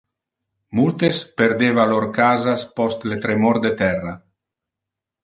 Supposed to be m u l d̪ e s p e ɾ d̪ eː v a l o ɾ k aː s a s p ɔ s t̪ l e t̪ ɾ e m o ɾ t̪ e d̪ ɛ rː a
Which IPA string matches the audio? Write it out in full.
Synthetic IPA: m u l t̪ e s p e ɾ d̪ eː v a l o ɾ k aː z a s p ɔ s t̪ l e t̪ ɾ e m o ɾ d̪ e t̪ ɛ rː a